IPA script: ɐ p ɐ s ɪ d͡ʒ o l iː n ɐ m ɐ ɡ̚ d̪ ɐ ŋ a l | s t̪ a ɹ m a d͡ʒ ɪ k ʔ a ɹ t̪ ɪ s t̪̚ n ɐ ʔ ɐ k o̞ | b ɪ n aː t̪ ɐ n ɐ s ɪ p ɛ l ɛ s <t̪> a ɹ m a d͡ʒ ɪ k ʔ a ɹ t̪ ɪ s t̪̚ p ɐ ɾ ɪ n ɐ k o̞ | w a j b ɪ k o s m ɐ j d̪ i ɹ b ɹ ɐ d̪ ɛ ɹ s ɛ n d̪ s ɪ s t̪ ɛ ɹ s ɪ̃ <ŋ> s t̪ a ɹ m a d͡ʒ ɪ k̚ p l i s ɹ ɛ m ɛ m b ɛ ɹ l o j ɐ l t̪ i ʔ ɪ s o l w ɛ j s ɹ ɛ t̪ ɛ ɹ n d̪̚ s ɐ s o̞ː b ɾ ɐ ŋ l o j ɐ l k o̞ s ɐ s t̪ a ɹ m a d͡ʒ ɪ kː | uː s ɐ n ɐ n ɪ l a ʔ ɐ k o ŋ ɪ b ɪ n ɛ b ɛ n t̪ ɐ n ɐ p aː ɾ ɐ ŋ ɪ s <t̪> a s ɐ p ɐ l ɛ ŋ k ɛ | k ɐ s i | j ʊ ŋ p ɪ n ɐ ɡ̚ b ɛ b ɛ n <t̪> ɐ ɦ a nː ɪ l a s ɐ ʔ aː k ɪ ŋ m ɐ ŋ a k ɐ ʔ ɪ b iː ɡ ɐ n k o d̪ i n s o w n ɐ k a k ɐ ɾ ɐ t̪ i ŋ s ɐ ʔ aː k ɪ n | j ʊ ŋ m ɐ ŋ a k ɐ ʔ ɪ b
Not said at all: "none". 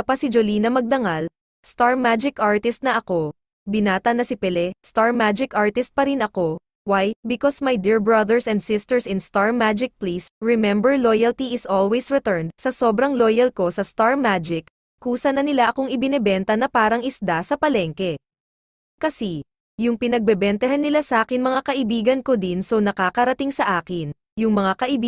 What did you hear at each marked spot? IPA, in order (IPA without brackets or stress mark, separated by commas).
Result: t̪, n, d̪, t̪